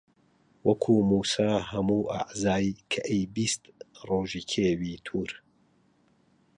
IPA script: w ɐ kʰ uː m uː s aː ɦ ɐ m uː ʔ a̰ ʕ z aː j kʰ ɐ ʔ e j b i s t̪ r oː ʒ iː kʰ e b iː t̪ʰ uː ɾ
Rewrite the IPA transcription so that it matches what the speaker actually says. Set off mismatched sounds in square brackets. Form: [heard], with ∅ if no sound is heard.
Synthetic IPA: w ɐ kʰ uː m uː s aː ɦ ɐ m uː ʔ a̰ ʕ z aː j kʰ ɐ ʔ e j b i s t̪ r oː ʒ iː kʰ e [w] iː t̪ʰ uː ɾ